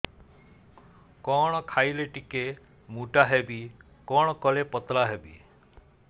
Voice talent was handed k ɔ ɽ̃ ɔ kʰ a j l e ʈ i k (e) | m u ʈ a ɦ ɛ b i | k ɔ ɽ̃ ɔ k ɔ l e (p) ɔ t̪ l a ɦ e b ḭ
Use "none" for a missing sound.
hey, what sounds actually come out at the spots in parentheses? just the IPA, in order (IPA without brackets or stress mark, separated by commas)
e, p